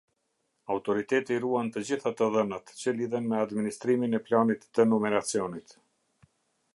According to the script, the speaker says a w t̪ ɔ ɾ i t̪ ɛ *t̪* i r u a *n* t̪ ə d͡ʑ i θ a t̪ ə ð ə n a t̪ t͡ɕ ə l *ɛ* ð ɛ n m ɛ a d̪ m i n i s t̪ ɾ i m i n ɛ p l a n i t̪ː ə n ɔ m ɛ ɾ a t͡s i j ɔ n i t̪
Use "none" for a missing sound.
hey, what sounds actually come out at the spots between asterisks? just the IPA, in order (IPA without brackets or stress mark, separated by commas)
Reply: t̪, n, i